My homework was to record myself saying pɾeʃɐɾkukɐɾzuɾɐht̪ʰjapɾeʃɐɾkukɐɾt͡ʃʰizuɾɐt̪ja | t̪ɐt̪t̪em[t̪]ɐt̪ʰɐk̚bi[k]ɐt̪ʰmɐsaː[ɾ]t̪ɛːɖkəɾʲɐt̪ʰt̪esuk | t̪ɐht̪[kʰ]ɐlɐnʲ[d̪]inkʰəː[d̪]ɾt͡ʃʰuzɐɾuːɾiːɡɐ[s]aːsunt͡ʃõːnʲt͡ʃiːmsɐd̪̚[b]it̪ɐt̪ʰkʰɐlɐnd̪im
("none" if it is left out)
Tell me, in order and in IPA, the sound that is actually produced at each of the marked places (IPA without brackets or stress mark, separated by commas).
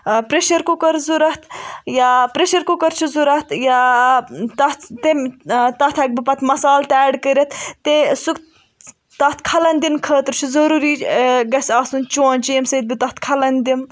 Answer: t̪, p, l, kʰ, d̪, t̪, s, b